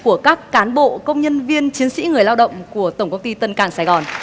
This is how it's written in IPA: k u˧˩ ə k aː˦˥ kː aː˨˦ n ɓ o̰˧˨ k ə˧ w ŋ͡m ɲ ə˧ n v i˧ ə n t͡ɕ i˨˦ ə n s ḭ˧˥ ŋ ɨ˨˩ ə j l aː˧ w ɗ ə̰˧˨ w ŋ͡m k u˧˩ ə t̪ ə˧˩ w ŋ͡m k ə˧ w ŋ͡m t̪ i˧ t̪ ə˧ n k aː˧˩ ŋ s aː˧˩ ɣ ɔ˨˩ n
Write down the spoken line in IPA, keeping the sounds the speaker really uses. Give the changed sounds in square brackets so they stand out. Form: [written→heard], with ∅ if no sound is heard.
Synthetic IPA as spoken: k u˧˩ ə k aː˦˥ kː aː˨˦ n ɓ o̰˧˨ k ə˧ w ŋ͡m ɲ ə˧ n v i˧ ə n t͡ɕ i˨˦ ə n s ḭ˧˥ ŋ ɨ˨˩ ə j l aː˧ w ɗ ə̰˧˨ w ŋ͡m k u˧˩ ə t̪ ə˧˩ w ŋ͡m k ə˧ w ŋ͡m t̪ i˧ t̪ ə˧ n k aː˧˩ ŋ s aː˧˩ ɣ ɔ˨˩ n